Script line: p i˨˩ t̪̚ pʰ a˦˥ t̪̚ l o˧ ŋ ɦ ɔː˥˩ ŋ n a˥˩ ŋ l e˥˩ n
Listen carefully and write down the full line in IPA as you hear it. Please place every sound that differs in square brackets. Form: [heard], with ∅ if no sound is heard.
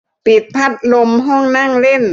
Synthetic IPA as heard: p i˨˩ t̪̚ pʰ a˦˥ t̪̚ l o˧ [m] ɦ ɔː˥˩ ŋ n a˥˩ ŋ l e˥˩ n